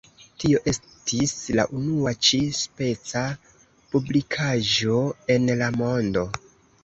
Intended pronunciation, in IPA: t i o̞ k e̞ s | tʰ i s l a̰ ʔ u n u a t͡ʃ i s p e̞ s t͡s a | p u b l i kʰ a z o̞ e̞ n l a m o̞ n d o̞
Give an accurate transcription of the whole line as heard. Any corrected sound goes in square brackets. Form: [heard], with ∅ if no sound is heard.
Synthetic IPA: t i o̞ [ʔ] e̞ s | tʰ i s l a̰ ʔ u n u a t͡ʃ i s p e̞ [∅] t͡s a | p u b l i kʰ a [ʒ] o̞ e̞ n l a m o̞ n d o̞

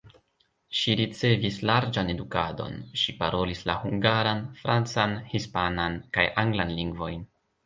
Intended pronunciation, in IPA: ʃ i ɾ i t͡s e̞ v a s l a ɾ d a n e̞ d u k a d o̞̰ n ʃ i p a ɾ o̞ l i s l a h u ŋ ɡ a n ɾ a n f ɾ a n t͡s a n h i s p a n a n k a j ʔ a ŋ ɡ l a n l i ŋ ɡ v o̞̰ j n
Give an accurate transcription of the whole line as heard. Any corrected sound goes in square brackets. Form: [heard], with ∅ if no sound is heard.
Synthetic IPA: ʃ i ɾ i t͡s e̞ v [i] s l a ɾ [d͡ʒ] a n e̞ d u k a d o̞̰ n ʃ i p a ɾ o̞ l i s l a h u ŋ ɡ a [∅] ɾ a n f ɾ a n t͡s a n h i s p a n a n k a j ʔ a ŋ ɡ l a n l i ŋ ɡ v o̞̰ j n

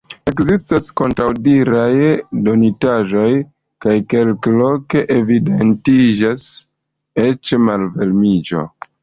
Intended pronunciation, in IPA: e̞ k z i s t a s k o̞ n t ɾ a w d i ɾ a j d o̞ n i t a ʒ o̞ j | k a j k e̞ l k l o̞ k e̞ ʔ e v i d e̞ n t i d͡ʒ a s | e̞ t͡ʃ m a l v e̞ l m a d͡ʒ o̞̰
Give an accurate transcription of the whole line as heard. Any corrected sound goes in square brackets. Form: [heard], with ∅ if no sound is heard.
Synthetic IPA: e̞ k z i s t a s k o̞ n t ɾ a w d i ɾ a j d o̞ n i t a ʒ o̞ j | k a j k e̞ l k l o̞ k e̞ ʔ e v i d e̞ n t i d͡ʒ a s | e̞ t͡ʃ m a l v e̞ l m [i] d͡ʒ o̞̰

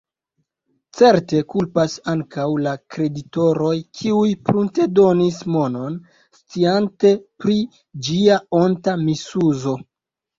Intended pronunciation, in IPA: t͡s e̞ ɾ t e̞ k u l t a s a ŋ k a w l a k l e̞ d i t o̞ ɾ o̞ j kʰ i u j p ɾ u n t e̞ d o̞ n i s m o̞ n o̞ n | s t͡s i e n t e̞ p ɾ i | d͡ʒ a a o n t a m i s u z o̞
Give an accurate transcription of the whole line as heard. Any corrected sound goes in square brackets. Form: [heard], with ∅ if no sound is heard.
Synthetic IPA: t͡s e̞ ɾ t e̞ k u l [p] a s a ŋ k a w l a k [ɾ] e̞ d i t o̞ ɾ o̞ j kʰ i u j p ɾ u n t e̞ d o̞ n i s m o̞ n o̞ n | s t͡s i [a] n t e̞ p ɾ i | d͡ʒ [i] a o n t a m i s u z o̞

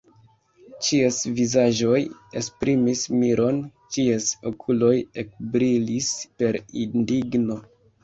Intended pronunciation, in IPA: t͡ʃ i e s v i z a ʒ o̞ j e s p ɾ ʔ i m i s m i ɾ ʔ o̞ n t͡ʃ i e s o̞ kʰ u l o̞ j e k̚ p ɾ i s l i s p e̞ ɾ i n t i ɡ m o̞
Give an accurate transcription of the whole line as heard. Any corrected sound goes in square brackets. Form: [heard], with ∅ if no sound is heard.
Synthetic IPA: t͡ʃ i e s v i z a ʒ o̞ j e s p ɾ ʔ i m i s m i ɾ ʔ o̞ n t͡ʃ i e s o̞ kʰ u l o̞ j e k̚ [b] ɾ i [∅] l i s p e̞ ɾ i n [d] i ɡ [n] o̞

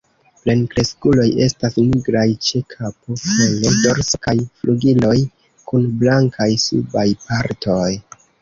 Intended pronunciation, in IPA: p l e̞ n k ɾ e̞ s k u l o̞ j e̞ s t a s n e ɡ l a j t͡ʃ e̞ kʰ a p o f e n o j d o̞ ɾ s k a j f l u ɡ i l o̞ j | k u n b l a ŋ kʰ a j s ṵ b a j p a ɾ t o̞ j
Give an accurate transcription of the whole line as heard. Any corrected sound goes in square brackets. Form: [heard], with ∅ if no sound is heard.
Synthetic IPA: p l e̞ n k ɾ e̞ s k u l o̞ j e̞ s t a s n [i] ɡ [ɾ] a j t͡ʃ e̞ kʰ a p o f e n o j d o̞ ɾ s k a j f l u ɡ i l o̞ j | k u n b l a ŋ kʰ a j s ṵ b a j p a ɾ t o̞ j

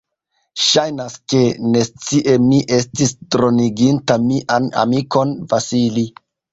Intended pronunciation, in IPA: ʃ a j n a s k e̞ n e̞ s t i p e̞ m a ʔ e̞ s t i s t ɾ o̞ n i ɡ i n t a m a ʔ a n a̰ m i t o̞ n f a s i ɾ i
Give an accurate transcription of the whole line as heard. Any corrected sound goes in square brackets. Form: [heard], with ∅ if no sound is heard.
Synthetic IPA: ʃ a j n a s k e̞ n e̞ s [t͡s] i [ʔ] e̞ m [i] ʔ e̞ s t i s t ɾ o̞ n i ɡ i n t a m [i] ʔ a n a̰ m i [k] o̞ n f a s i [l] i

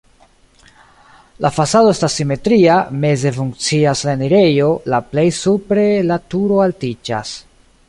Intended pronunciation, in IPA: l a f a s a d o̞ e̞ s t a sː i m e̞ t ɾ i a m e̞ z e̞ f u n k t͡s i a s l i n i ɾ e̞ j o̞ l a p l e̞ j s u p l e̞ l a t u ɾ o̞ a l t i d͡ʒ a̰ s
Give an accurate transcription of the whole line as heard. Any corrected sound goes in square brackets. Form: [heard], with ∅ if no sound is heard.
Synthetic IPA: l a f a s a d o̞ e̞ s t a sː i m e̞ t ɾ i a m e̞ z e̞ f u [ŋ] k t͡s i a s l [a] n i ɾ e̞ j o̞ l a p l e̞ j s u p [ɾ] e̞ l a t u ɾ o̞ a l t i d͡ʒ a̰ s

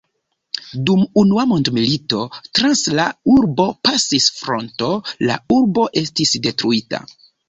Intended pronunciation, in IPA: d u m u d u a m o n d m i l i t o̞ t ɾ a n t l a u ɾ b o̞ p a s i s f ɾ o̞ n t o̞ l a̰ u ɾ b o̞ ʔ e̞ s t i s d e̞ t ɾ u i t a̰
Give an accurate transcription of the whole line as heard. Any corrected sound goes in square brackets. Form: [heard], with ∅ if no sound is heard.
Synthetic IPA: d u m u [n] u a m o n d m i l i t o̞ t ɾ a n [s] l a u ɾ b o̞ p a s i s f ɾ o̞ n t o̞ l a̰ u ɾ b o̞ ʔ e̞ s t i s d e̞ t ɾ u i t a̰

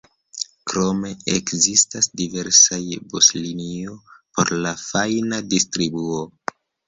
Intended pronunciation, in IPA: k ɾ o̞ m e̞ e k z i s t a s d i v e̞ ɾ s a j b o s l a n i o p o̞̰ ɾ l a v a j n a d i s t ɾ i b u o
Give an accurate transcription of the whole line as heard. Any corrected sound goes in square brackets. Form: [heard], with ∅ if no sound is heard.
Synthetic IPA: k ɾ o̞ m e̞ e k z i s t a s d i v e̞ ɾ s a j b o s l [i] n i o p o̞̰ ɾ l a [f] a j n a d i s t ɾ i b u o

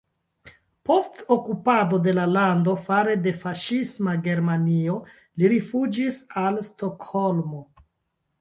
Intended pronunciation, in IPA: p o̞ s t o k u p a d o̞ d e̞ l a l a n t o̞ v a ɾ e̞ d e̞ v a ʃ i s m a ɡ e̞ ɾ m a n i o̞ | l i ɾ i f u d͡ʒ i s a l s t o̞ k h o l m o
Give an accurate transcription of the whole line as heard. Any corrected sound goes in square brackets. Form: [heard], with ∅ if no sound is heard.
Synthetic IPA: p o̞ s t o k u p a d o̞ d e̞ l a l a n [d] o̞ [f] a ɾ e̞ d e̞ [f] a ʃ i s m a ɡ e̞ ɾ m a n i o̞ | l i ɾ i f u d͡ʒ i s a l s t o̞ k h o l m o

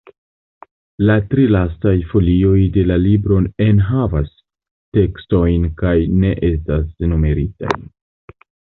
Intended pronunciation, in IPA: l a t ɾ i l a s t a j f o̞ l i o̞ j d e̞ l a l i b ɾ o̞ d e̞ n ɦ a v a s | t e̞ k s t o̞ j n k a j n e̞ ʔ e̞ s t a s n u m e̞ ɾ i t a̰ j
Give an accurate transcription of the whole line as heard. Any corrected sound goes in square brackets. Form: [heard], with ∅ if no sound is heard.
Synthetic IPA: l a t ɾ i l a s t a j f o̞ l i o̞ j d e̞ l a l i b ɾ o̞ [n] e̞ n ɦ a v a s | t e̞ k s t o̞ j n k a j n e̞ ʔ e̞ s t a s n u m e̞ ɾ i t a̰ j

